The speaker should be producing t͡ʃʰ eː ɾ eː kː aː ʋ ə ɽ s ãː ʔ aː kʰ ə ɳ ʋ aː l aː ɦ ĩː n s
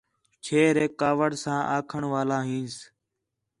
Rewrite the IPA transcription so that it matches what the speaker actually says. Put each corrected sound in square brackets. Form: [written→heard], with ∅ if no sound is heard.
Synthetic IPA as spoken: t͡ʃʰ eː ɾ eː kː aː ʋ ə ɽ s ãː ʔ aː kʰ ə ɳ ʋ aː l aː ɦ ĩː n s